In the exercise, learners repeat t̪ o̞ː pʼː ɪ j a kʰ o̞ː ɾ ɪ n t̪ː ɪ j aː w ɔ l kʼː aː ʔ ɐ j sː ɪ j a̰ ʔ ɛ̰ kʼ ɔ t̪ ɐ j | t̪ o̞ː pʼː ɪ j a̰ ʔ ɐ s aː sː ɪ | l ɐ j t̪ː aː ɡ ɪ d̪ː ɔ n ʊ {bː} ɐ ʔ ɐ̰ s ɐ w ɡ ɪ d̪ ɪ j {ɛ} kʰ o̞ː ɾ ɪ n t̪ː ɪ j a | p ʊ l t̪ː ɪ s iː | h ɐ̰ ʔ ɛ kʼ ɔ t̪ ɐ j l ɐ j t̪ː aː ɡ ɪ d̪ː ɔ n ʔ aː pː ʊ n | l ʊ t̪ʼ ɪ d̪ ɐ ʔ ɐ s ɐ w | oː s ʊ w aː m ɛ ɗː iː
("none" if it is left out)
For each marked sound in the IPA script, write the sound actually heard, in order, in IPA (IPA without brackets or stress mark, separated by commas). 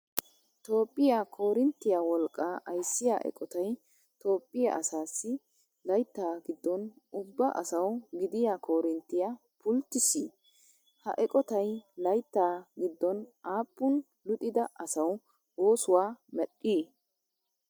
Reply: bː, a